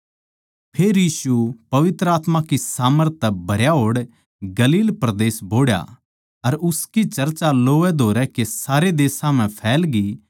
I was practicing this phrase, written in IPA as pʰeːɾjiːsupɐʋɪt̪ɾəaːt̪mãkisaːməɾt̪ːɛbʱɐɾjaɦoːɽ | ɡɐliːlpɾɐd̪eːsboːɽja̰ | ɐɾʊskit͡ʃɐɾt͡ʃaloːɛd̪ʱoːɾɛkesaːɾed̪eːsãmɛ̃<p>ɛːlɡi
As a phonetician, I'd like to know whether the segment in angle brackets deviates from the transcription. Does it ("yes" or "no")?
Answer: yes